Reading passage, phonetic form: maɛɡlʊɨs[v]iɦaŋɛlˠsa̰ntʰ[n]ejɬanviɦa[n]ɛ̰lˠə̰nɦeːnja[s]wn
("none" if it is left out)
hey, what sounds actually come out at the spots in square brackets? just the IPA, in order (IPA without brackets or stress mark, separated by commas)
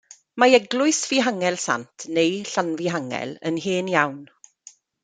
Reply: v, n, ŋ, none